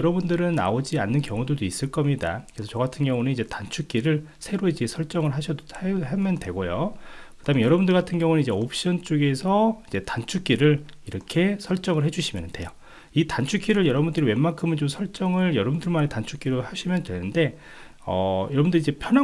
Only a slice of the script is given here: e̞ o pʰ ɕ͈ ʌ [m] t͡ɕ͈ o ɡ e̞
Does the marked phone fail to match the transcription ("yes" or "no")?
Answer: yes